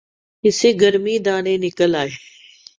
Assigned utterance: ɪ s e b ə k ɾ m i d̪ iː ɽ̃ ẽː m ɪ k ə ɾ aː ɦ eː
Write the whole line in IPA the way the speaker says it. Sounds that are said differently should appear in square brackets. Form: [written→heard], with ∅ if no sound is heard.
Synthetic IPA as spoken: ɪ s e [b→ɡ] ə [k→∅] ɾ m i d̪ [iː→aː] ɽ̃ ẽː [m→n] ɪ k ə [ɾ→l] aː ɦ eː